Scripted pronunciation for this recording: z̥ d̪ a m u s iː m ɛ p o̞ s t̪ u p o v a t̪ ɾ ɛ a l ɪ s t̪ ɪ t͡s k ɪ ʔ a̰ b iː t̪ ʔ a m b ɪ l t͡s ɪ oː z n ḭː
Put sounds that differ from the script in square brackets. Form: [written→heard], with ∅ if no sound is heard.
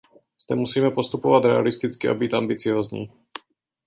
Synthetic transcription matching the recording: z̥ d̪ [a→ɛ] m u s iː m ɛ p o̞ s t̪ u p o v a t̪ ɾ ɛ a l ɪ s t̪ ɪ t͡s k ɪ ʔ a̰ b iː t̪ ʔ a m b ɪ [l→∅] t͡s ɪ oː z [n→ɲ] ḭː